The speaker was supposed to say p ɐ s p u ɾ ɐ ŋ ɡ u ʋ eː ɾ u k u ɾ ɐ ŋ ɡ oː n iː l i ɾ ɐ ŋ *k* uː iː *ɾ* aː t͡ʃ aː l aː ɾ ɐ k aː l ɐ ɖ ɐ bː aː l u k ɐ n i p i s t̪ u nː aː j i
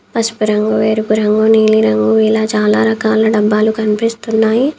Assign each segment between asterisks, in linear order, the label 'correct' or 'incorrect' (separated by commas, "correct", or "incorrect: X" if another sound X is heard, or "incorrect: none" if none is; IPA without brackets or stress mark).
incorrect: ɡ, incorrect: l